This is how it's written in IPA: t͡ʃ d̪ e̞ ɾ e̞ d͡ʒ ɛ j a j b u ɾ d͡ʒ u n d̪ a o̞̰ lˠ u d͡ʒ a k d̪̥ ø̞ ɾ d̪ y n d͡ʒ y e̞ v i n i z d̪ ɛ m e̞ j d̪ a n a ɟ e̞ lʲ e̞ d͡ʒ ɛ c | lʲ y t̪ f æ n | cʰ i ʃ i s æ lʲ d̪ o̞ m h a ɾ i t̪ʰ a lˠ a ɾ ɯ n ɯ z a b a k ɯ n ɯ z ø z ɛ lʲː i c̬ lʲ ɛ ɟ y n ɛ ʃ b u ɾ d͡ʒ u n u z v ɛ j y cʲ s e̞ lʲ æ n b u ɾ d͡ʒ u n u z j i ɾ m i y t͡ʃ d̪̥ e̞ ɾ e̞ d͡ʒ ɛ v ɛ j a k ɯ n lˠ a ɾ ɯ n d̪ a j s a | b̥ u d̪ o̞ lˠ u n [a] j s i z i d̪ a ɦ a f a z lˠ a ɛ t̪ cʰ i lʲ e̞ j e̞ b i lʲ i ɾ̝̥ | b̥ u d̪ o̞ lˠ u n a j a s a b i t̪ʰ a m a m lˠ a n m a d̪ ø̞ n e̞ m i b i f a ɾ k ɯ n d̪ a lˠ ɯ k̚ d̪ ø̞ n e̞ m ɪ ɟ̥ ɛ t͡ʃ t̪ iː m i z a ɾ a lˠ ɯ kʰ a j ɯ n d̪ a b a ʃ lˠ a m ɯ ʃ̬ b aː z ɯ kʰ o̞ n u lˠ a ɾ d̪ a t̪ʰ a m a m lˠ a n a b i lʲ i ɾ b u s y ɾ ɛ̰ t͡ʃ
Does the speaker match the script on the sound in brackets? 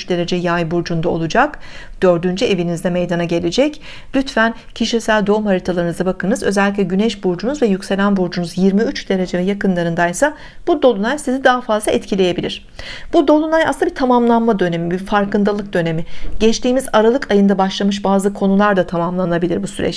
yes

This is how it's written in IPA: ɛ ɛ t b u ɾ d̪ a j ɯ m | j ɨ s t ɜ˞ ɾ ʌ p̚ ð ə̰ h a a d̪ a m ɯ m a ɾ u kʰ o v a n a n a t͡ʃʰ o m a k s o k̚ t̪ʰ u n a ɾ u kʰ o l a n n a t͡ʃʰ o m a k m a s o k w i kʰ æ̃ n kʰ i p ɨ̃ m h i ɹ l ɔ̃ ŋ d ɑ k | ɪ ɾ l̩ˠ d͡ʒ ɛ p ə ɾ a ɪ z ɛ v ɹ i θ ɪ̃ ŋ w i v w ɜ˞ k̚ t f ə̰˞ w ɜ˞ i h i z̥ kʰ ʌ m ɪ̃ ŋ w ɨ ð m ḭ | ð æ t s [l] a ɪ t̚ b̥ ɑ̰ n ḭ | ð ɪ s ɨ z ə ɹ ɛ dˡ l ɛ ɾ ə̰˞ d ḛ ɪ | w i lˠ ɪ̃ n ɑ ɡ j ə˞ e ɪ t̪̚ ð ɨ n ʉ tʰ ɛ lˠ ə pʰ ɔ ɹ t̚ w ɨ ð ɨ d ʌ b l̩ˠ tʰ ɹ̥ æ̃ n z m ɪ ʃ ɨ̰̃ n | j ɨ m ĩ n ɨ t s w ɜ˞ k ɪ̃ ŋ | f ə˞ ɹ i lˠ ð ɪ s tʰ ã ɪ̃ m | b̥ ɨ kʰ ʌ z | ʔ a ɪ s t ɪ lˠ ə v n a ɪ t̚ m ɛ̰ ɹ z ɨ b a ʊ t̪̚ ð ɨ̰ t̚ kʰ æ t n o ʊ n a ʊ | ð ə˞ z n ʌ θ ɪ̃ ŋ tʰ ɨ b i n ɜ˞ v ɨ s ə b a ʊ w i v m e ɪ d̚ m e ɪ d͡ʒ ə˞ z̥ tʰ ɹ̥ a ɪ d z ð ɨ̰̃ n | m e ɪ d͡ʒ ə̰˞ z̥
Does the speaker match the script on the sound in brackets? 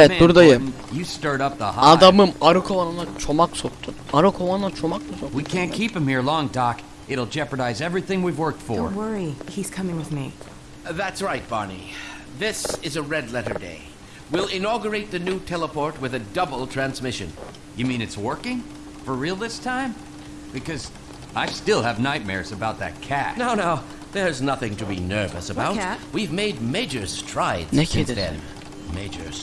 no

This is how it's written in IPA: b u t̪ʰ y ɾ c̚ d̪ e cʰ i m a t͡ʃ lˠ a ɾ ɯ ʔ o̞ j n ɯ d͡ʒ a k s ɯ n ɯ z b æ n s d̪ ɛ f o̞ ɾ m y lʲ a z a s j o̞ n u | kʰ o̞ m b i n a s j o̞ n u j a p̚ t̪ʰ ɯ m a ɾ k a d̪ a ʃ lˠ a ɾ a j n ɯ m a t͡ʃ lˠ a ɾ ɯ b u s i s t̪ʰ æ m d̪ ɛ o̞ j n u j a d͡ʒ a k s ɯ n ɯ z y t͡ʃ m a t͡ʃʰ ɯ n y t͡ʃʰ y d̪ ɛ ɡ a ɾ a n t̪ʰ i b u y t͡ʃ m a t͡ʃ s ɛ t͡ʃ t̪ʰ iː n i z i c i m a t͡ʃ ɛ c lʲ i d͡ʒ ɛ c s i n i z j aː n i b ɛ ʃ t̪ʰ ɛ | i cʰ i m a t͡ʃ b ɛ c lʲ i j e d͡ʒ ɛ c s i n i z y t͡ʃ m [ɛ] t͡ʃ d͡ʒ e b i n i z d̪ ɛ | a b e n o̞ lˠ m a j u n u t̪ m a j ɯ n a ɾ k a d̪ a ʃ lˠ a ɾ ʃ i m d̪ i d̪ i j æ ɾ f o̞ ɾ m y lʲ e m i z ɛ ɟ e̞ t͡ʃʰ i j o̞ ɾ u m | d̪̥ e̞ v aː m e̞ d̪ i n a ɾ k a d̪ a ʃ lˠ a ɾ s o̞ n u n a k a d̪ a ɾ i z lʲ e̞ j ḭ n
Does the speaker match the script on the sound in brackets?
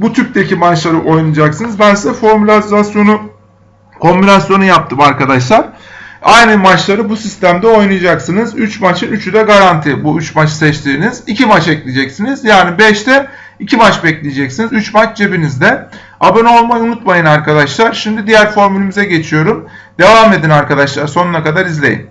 no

